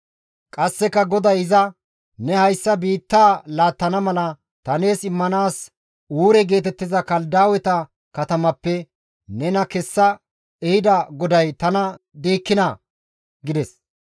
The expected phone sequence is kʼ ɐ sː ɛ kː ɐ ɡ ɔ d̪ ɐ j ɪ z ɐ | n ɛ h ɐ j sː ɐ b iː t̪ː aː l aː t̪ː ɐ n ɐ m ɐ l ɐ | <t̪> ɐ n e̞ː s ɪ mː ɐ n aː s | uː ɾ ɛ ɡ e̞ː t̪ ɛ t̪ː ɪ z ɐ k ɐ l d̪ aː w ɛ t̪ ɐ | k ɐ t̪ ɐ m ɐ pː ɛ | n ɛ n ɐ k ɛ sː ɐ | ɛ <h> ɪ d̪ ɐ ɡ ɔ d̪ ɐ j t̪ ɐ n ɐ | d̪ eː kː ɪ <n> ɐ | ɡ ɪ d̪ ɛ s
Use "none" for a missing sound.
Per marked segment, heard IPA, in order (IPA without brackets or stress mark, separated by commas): t̪, h, n